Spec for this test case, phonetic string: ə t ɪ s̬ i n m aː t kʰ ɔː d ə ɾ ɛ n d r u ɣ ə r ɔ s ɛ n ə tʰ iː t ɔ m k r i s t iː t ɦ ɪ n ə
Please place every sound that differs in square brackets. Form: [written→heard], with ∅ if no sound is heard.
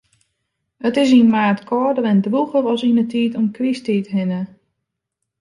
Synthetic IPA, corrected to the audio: ə t ɪ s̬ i n m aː t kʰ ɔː d ə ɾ ɛ n d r u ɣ ə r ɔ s [ɛ→i] n ə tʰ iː t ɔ m k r i s t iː t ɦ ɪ n ə